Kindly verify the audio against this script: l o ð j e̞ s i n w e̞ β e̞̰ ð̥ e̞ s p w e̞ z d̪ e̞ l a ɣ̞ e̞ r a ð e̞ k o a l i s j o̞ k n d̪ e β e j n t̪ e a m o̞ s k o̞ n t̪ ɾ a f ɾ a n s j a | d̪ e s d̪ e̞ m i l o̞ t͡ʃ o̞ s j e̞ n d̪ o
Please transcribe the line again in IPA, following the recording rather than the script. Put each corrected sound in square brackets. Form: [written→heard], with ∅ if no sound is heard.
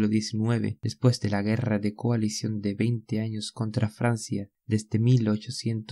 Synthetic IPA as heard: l o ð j e̞ s i n w e̞ β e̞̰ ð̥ e̞ s p w e̞ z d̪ e̞ l a ɣ̞ e̞ r a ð e̞ k o a l i s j o̞ [k→∅] n d̪ e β e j n t̪ e a [m→ɲ] o̞ s k o̞ n t̪ ɾ a f ɾ a n s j a | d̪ e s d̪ e̞ m i l o̞ t͡ʃ o̞ s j e̞ n [d̪→t̪] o